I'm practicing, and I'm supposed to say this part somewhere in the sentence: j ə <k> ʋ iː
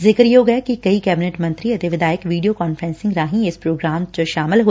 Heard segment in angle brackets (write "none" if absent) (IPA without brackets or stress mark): k